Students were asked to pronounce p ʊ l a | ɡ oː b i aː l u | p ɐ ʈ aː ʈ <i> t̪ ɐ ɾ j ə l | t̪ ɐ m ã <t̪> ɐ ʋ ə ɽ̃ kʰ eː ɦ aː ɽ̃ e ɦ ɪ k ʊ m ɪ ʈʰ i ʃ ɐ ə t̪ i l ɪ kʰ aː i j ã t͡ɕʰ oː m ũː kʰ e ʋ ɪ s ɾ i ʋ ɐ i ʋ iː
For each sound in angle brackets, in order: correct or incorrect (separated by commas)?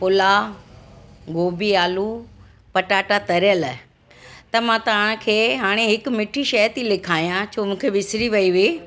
incorrect, correct